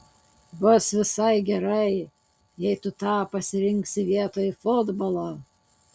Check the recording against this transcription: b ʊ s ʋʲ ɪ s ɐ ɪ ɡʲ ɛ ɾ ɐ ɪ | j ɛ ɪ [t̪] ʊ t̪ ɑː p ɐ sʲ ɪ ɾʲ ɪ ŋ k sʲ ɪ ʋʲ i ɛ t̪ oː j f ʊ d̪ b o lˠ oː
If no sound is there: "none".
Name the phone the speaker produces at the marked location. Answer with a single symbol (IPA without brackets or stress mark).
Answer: t̪